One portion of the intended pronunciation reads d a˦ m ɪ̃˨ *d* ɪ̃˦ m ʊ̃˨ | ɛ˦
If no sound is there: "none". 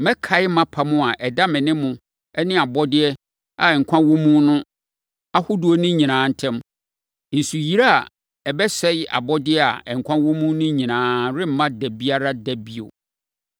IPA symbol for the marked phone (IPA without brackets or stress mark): n